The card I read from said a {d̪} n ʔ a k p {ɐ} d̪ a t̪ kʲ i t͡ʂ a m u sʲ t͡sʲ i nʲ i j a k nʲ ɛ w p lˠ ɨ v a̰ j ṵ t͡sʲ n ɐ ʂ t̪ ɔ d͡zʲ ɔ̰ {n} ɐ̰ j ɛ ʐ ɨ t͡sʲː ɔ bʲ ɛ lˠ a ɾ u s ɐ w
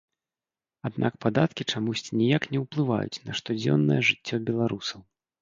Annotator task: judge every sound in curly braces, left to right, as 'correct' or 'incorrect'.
correct, incorrect, incorrect

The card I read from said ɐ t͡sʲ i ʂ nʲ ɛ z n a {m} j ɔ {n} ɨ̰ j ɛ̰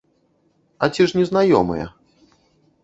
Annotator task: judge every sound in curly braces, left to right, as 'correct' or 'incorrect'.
incorrect, incorrect

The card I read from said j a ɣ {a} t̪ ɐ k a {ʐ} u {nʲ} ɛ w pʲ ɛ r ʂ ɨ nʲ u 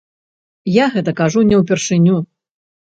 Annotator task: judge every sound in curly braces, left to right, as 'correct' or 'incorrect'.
incorrect, correct, correct

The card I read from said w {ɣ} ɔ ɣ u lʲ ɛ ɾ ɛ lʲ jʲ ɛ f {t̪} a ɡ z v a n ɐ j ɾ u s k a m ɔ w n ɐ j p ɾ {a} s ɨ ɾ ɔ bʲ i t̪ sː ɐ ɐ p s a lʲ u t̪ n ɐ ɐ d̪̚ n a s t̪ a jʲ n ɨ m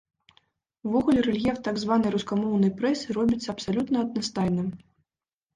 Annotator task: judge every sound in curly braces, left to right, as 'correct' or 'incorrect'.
incorrect, correct, incorrect

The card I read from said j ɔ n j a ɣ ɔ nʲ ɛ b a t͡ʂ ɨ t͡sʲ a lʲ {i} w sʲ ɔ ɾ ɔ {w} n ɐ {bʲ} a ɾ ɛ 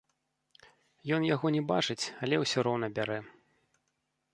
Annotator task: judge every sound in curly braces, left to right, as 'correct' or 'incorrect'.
incorrect, correct, correct

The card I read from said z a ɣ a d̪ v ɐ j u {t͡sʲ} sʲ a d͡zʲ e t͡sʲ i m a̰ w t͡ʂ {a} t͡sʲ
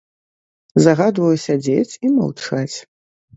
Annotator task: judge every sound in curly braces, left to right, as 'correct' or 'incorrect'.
incorrect, correct

